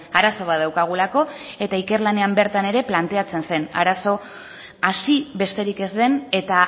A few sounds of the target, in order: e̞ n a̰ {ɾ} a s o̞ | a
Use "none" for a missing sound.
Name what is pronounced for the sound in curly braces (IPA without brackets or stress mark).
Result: ɾ